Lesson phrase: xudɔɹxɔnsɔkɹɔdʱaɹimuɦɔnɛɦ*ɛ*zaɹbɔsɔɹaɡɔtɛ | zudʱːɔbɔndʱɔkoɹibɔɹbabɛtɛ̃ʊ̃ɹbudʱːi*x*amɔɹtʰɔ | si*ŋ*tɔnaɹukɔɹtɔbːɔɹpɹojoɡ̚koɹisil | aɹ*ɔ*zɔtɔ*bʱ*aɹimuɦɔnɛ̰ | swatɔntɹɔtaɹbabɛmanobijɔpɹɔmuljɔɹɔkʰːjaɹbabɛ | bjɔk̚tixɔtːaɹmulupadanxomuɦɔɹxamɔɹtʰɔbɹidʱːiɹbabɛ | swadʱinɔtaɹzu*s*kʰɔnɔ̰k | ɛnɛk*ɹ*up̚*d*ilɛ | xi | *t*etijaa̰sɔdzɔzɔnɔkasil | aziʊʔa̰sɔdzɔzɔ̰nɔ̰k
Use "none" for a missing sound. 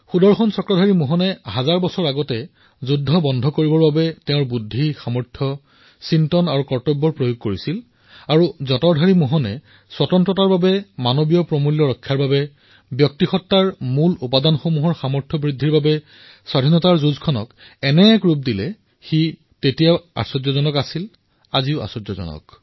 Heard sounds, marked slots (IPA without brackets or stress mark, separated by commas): a, x, n, u, dʱ, z, ɹ, d, t